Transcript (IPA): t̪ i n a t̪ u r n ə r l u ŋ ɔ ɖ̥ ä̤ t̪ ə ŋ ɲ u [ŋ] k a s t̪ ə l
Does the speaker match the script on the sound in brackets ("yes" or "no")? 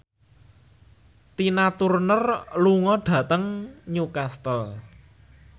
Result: no